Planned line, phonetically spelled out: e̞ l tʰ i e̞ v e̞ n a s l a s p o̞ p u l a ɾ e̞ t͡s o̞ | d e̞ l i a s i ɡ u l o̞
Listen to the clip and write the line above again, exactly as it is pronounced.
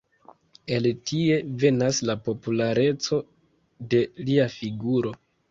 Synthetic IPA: e̞ l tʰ i e̞ v e̞ n a s l a p o̞ p u l a ɾ e̞ t͡s o̞ | d e̞ l i a f i ɡ u ɾ o̞